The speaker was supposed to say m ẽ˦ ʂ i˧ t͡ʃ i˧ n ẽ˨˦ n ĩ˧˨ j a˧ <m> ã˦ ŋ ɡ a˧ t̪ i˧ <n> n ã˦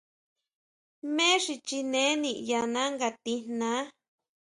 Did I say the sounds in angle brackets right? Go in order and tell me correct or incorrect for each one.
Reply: incorrect, correct

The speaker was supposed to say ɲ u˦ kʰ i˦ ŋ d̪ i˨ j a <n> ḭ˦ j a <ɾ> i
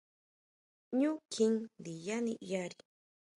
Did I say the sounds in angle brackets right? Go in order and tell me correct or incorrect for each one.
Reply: correct, correct

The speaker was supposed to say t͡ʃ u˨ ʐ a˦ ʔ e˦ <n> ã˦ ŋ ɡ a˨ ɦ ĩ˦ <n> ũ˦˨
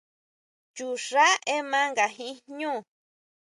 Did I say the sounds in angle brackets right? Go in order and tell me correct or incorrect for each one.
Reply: incorrect, incorrect

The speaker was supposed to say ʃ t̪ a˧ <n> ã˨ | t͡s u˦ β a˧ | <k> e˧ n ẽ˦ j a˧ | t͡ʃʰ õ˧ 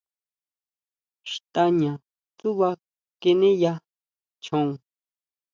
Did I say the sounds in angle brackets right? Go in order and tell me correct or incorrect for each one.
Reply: incorrect, correct

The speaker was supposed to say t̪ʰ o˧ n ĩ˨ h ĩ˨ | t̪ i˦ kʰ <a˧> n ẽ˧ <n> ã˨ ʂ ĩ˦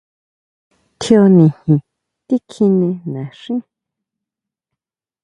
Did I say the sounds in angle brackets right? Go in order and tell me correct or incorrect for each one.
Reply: incorrect, correct

